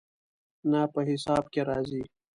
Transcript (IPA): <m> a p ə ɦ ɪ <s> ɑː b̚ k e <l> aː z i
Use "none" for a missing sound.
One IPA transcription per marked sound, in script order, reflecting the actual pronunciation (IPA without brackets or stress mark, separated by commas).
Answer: n, s, ɾ